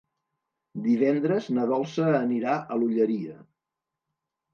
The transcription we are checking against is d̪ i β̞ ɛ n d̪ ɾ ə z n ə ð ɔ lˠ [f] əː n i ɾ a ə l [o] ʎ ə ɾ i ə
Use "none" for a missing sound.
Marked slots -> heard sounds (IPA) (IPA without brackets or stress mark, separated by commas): s, u